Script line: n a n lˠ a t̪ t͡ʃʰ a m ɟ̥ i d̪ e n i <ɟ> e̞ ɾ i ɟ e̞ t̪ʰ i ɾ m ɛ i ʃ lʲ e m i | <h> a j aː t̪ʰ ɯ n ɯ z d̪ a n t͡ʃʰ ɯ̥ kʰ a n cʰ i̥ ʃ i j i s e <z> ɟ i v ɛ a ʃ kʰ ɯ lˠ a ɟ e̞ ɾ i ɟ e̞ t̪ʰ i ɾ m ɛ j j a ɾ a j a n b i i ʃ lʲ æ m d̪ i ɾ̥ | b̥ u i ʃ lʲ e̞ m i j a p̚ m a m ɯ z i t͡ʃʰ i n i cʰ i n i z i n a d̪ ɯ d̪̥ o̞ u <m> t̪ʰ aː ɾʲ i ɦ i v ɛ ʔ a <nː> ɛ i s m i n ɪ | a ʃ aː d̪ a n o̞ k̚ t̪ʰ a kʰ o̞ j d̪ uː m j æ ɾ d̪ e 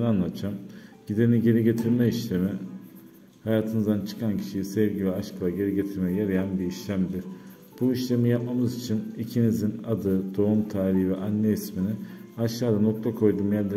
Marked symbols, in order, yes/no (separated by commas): yes, yes, no, yes, yes